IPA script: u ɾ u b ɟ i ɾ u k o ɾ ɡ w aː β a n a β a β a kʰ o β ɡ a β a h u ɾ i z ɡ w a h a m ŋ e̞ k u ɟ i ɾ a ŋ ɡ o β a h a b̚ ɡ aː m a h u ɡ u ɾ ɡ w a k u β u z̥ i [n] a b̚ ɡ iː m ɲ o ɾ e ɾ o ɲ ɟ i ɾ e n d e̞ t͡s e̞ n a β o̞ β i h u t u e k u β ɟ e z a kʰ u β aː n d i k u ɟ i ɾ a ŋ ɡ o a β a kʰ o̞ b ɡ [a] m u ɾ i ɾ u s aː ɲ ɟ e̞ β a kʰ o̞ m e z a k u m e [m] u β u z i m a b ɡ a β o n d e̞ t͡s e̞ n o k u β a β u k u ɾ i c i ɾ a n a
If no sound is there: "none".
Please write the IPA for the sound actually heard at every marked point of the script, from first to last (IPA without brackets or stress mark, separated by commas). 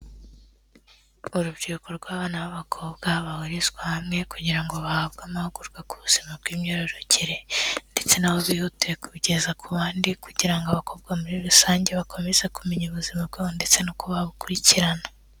m, a, ɲ